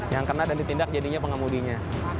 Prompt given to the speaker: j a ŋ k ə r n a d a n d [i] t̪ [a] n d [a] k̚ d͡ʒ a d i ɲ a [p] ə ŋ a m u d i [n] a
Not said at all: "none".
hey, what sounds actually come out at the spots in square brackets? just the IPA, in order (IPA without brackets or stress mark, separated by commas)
i, i, a, p, ɲ